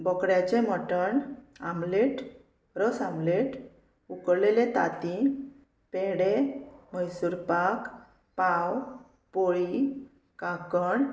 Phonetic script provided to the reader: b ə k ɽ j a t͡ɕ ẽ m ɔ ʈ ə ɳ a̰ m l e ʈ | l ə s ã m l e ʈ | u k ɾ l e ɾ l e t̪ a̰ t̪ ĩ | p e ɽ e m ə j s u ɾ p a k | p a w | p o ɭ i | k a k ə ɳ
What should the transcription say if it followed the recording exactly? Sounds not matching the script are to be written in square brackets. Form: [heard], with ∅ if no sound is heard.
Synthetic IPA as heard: b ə k ɽ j a t͡ɕ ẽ m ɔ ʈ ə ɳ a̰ m l e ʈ | [ɾ] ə s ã m l e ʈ | u k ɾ l e [∅] l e t̪ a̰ t̪ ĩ | p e ɽ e m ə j s u ɾ p a k | p a w | p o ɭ i | k a k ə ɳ